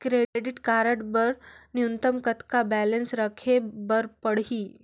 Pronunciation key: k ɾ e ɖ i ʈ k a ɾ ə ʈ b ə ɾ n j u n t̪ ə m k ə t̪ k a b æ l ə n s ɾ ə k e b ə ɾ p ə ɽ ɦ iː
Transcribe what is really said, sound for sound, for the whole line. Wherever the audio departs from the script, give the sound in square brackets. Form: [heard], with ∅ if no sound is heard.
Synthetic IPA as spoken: k ɾ e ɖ i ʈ k a ɾ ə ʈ b ə ɾ n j u n t̪ ə m k ə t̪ k a b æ l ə n s ɾ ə [kʰ] e b ə ɾ p ə ɽ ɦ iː